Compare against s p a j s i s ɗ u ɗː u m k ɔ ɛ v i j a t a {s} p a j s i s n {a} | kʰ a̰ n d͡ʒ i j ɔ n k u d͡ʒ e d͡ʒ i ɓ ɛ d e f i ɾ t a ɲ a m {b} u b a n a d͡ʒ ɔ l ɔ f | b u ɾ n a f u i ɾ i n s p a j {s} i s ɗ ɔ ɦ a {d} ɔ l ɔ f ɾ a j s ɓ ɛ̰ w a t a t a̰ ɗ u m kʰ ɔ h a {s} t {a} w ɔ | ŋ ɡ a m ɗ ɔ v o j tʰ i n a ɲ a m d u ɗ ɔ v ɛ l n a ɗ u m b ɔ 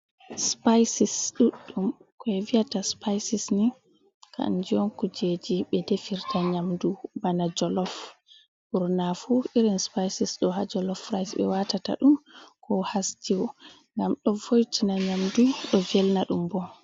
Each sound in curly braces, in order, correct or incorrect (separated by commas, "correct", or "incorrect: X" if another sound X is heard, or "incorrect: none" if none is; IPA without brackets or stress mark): correct, incorrect: i, incorrect: d, correct, incorrect: d͡ʒ, correct, incorrect: i